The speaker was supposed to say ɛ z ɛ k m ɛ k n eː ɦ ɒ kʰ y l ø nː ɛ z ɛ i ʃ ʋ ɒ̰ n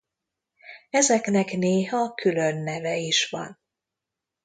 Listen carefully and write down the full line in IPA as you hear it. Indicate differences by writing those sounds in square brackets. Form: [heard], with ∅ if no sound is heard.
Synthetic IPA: ɛ z ɛ k [n] ɛ k n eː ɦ ɒ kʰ y l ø nː ɛ [v] ɛ i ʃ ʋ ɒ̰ n